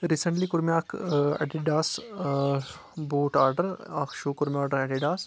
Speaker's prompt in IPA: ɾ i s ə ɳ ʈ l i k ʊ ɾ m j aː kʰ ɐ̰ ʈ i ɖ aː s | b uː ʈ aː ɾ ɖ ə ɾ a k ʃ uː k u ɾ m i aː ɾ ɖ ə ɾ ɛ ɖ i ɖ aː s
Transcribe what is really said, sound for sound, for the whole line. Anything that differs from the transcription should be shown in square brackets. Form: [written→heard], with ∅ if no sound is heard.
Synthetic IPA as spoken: ɾ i s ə ɳ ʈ l i k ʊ ɾ m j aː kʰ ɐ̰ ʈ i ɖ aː s | b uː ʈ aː ɾ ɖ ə ɾ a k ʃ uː k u ɾ m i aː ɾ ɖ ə ɾ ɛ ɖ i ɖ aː s